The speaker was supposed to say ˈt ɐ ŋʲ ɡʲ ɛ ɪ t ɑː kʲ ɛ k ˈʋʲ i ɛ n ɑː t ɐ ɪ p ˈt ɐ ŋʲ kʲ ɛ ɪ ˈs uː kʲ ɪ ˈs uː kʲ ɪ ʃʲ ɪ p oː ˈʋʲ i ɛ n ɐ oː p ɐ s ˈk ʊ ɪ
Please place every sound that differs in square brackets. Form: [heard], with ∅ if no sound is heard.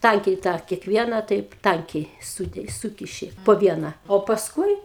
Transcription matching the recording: ˈt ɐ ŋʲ [kʲ] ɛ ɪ t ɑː kʲ ɛ k ˈʋʲ i ɛ n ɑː t ɐ ɪ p ˈt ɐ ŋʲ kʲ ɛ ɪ ˈs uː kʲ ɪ ˈs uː kʲ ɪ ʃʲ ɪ p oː ˈʋʲ i ɛ n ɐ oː p ɐ s ˈk ʊ ɪ